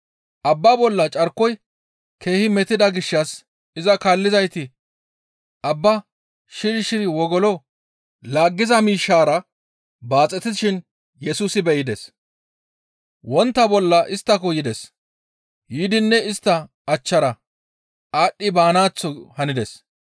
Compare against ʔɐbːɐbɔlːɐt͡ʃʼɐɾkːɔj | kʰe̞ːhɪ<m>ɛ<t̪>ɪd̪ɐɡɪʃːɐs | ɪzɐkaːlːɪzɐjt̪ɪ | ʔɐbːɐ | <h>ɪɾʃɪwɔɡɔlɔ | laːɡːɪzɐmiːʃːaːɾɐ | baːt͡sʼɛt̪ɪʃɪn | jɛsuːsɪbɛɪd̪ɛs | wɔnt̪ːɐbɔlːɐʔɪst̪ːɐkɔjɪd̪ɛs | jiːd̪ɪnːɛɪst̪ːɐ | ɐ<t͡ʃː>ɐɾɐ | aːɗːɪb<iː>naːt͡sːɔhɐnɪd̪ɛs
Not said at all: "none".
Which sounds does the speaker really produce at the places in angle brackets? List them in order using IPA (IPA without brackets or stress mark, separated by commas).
m, t̪, ʃ, t͡ʃː, aː